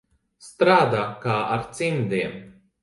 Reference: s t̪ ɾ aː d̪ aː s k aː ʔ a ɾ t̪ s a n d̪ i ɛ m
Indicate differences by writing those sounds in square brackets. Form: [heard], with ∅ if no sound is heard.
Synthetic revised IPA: s t̪ ɾ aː d̪ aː [∅] k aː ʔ a ɾ t̪ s [i] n d̪ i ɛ m

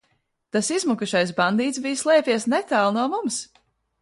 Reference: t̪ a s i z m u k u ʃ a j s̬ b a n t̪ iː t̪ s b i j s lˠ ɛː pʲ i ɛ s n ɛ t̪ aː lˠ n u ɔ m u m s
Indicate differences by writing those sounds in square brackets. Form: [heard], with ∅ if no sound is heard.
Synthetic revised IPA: t̪ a s i z m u k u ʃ a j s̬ b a n [d̪] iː t̪ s b i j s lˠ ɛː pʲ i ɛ s n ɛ t̪ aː lˠ n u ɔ m u m s

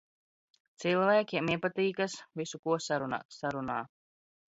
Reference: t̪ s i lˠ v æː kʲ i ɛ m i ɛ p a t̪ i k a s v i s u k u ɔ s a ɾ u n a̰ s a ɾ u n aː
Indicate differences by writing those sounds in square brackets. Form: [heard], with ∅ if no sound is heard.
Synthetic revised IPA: t̪ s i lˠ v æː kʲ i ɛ m i ɛ p a t̪ [iː] k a s v i s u k u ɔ s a ɾ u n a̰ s a ɾ u n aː

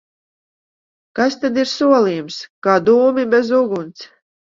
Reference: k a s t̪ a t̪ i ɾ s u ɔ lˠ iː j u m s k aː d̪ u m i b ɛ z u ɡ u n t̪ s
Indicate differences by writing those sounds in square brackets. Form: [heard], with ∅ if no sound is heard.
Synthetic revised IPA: k a s t̪ a [d̪] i ɾ s u ɔ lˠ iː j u m s k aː d̪ [uː] m i b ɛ z u ɡ u n t̪ s

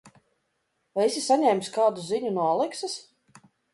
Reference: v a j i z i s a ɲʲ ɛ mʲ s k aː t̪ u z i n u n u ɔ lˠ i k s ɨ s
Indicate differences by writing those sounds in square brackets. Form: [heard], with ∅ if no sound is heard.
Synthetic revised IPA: v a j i [s] i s a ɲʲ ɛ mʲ s k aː [d̪] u z i [ɲ] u n u ɔ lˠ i k s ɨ s

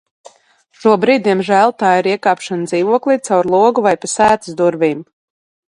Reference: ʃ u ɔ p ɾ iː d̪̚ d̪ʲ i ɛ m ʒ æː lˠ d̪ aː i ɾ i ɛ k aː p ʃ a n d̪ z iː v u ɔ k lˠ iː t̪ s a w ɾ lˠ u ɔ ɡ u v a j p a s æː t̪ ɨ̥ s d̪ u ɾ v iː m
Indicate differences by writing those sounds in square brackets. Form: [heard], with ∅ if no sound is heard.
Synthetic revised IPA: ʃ u ɔ [b] ɾ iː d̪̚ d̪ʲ i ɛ m ʒ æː lˠ [t̪] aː i ɾ i ɛ k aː p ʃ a n d̪ z iː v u ɔ k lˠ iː t̪ s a w ɾ lˠ u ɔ ɡ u v a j p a s æː t̪ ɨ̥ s d̪ u ɾ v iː m

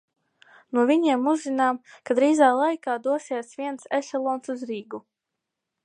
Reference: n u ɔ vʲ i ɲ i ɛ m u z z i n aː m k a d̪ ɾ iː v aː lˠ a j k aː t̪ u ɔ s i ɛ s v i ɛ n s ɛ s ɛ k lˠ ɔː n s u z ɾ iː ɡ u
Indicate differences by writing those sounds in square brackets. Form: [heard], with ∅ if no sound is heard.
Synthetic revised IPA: n u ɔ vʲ i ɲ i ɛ m u z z i n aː m k a d̪ ɾ iː [z] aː lˠ a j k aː [d̪] u ɔ s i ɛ s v i ɛ n s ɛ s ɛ [∅] lˠ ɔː n s u z ɾ iː ɡ u

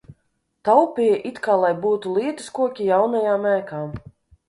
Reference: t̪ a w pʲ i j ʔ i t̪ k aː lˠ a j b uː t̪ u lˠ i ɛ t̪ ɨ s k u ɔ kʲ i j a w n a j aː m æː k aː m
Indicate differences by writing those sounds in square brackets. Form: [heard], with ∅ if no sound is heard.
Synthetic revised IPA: t̪ a w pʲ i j ʔ i t̪ k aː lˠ a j b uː t̪ u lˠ i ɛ t̪ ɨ s k u ɔ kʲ i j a w n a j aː m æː k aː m

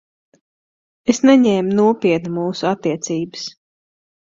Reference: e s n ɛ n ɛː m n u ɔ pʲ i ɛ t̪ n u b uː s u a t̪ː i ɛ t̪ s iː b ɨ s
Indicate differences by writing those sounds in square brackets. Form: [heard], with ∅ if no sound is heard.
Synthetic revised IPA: e s n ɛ [ɲ] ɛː m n u ɔ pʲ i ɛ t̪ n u [m] uː s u a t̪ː i ɛ t̪ s iː b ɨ s

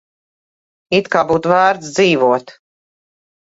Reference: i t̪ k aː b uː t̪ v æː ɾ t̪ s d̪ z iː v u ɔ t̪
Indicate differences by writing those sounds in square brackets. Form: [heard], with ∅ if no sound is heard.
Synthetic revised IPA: i t̪ k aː b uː t̪ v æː ɾ t̪ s d̪ z iː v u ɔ t̪

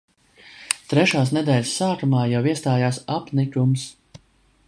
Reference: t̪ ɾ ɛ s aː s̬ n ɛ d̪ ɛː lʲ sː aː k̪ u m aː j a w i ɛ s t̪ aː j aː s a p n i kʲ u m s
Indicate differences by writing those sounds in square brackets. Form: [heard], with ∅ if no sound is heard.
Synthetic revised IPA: t̪ ɾ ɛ [ʃ] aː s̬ n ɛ d̪ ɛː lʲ sː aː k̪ u m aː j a w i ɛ s t̪ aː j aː s a p n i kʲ u m s

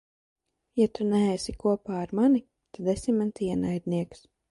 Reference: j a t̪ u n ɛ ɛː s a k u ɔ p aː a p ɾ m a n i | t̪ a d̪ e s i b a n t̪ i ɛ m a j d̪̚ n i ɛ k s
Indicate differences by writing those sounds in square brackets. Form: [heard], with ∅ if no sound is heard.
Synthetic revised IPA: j a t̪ u n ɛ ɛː s [i] k u ɔ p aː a [∅] ɾ m a n i | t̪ a d̪ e s i [m] a n t̪ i ɛ [n] a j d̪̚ n i ɛ k s

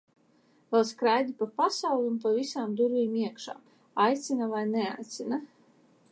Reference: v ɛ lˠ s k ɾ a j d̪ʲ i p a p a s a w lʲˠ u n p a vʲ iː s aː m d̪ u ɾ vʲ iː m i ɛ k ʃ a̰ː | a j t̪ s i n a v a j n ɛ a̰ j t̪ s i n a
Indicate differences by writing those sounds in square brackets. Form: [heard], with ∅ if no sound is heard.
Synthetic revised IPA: v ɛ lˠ s k ɾ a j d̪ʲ i p a p a s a w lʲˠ u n p a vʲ [i] s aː m d̪ u ɾ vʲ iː m i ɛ k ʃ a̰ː | a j t̪ s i n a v a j n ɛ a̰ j t̪ s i n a

